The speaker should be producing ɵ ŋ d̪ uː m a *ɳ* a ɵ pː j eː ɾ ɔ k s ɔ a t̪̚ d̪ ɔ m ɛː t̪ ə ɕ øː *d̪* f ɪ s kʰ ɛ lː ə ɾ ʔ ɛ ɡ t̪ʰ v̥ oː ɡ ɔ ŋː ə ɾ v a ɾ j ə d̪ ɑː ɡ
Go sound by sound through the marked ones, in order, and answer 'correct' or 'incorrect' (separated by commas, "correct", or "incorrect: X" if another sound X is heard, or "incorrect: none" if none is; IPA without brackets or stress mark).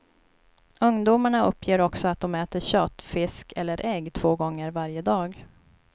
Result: correct, incorrect: t̪